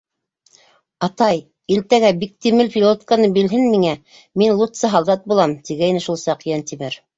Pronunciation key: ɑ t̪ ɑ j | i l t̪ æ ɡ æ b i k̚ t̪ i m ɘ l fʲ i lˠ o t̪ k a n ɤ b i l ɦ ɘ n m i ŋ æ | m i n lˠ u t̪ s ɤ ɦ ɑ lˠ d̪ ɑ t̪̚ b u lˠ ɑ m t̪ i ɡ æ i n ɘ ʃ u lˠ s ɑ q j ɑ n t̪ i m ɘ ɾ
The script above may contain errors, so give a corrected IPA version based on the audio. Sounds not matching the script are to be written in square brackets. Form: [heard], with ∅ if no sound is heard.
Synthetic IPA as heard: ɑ t̪ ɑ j | i l t̪ æ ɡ æ b i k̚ t̪ i m ɘ l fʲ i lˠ o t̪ k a n ɤ b i l ɦ ɘ n m i ŋ æ | m i n lˠ u t̪ s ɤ ɦ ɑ lˠ d̪ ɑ t̪̚ b u lˠ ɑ m t̪ i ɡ æ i n ɘ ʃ u lˠ s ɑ q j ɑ n t̪ i m ɘ ɾ